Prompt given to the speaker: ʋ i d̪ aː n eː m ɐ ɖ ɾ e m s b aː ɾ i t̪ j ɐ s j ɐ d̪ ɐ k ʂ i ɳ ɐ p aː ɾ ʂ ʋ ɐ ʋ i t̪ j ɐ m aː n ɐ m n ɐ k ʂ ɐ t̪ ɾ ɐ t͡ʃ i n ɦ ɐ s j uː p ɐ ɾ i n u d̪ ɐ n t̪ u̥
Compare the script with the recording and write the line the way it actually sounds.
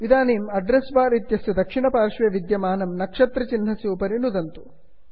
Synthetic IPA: ʋ i d̪ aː n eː m ɐ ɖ ɾ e s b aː ɾ i t̪ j ɐ s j ɐ d̪ ɐ k ʂ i ɳ ɐ p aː ɾ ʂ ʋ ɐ ʋ i d̪ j ɐ m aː n ɐ m n ɐ k ʂ ɐ t̪ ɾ ɐ t͡ʃ i n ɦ ɐ s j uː p ɐ ɾ i n u d̪ ɐ n t̪ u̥